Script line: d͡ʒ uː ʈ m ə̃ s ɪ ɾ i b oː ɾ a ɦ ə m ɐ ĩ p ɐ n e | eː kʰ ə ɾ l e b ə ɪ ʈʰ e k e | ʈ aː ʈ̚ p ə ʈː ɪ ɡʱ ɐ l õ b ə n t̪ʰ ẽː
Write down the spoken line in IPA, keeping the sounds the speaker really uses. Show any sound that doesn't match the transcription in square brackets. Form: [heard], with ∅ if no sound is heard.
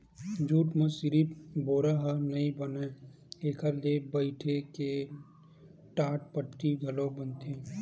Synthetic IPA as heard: d͡ʒ uː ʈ m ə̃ s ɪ ɾ i b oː ɾ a ɦ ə [n] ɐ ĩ [b] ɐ n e | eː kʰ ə ɾ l e b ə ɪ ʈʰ e k e | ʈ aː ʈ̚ p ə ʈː [i] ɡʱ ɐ l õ b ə n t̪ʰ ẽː